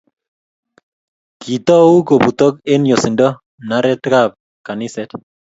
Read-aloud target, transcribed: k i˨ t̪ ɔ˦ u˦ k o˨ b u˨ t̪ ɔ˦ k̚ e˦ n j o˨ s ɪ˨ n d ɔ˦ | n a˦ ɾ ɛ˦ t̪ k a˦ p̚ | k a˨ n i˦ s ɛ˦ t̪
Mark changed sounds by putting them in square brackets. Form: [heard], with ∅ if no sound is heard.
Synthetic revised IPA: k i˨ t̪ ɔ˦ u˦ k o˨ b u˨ t̪ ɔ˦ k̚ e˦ n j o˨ s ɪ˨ n d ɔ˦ | n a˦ ɾ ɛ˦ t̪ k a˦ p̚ | k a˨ n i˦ s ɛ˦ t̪